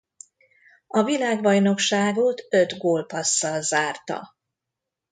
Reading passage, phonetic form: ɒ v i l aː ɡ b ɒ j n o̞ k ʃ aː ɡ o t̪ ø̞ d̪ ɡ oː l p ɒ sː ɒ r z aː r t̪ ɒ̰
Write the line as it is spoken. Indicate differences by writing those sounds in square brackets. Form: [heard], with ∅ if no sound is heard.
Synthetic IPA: ɒ v i l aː ɡ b ɒ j n o̞ k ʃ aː ɡ o t̪ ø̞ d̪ ɡ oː l p ɒ sː ɒ [l] z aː r t̪ ɒ̰